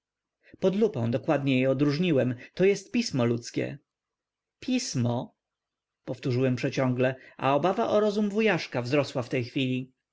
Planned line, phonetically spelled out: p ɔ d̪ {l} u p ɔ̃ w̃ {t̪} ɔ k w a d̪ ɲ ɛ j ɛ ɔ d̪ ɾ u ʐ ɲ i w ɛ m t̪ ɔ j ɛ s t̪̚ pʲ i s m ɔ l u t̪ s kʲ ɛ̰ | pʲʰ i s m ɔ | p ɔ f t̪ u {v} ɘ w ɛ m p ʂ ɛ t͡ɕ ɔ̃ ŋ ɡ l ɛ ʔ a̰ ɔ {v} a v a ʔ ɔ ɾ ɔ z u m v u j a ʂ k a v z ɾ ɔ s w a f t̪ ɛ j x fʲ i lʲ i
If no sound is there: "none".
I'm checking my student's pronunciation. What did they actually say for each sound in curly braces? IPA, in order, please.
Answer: l, d̪, ʐ, b

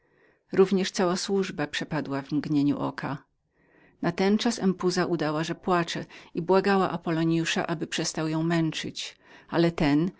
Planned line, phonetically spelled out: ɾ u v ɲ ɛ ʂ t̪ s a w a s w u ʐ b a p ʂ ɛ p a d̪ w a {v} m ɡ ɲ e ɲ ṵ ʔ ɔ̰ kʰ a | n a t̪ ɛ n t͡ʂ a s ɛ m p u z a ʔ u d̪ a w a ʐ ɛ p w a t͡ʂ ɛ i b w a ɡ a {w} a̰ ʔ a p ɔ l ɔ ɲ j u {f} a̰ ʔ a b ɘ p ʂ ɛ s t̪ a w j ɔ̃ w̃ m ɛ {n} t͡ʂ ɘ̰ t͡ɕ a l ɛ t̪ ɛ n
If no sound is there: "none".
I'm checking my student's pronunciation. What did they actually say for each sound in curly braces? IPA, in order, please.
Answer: v, w, ʂ, n

